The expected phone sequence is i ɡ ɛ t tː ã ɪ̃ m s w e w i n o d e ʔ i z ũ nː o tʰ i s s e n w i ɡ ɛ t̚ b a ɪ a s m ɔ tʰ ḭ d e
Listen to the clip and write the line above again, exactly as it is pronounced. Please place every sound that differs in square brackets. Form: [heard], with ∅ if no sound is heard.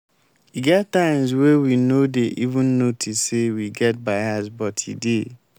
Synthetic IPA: i ɡ ɛ t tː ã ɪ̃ m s w e w i n o d e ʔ i [v] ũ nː o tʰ i s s e [∅] w i ɡ ɛ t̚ b a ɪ a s [b] ɔ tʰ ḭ d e